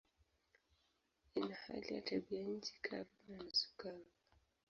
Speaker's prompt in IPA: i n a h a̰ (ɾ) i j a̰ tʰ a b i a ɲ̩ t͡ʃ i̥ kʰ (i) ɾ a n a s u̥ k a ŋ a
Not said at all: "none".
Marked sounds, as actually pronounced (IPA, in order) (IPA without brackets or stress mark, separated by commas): l, a